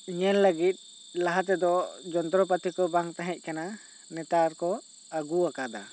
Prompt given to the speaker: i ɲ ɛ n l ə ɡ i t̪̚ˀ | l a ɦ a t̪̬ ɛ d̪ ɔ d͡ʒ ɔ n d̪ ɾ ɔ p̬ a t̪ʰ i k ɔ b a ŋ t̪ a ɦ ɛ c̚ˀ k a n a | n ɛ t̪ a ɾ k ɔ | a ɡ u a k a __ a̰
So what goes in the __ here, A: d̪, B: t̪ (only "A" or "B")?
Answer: A